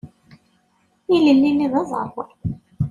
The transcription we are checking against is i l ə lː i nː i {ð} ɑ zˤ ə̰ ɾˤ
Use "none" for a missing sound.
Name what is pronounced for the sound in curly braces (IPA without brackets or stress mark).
ð